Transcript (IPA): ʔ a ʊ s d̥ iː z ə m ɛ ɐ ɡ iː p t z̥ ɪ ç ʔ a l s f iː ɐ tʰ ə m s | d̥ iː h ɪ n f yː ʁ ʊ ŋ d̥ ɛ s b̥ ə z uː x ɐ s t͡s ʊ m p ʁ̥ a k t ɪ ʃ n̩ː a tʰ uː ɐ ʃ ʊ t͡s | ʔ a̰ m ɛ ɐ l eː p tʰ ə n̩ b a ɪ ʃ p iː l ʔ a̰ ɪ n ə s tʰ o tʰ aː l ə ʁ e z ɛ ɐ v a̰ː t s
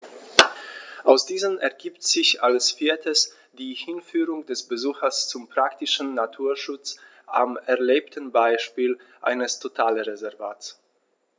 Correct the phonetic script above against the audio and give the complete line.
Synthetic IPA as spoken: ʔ a ʊ s d̥ iː z ə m ɛ ɐ ɡ iː p t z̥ ɪ ç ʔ a l s f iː ɐ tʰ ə s | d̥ iː h ɪ n f yː ʁ ʊ ŋ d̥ ɛ s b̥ ə z uː x ɐ s t͡s ʊ m p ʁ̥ a k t ɪ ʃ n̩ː a tʰ uː ɐ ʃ ʊ t͡s | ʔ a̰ m ɛ ɐ l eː p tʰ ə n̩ b a ɪ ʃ p iː l ʔ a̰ ɪ n ə s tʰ o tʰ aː l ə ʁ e z ɛ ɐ v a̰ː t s